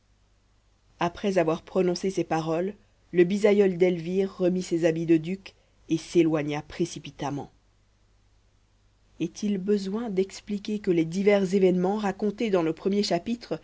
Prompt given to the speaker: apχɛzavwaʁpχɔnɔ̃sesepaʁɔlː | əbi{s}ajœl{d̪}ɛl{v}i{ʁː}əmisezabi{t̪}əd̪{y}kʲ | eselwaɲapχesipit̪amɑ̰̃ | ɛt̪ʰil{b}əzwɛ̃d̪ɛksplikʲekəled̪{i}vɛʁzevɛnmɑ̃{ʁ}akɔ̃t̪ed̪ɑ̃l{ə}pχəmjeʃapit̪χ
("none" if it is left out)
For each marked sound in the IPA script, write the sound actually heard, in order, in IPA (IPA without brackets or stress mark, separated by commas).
z, d̪, v, ʁː, d̪, y, b, i, ʁ, ə